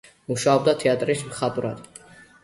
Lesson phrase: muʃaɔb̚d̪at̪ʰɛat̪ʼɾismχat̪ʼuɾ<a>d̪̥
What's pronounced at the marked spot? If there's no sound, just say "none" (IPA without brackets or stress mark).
a